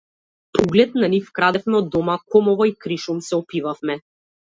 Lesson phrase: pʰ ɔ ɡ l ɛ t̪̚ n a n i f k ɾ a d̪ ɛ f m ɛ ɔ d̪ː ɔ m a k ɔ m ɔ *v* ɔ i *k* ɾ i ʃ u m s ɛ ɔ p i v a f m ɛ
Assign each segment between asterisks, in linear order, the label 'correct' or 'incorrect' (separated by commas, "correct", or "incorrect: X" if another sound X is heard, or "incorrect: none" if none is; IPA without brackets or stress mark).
correct, correct